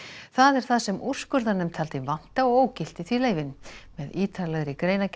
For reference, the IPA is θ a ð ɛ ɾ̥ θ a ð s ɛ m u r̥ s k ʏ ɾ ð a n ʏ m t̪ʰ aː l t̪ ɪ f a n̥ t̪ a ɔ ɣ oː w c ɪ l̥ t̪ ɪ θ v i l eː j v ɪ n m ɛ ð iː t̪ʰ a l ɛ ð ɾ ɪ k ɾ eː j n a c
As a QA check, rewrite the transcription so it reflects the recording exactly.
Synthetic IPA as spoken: θ a ð ɛ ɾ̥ θ a ð s ɛ m u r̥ s k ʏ ɾ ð a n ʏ m t̪ʰ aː l t̪ ɪ v a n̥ t̪ a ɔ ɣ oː w c ɪ l̥ t̪ ɪ θ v i l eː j v ɪ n m ɛ ð iː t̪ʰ a l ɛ ɣ ɾ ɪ k ɾ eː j n a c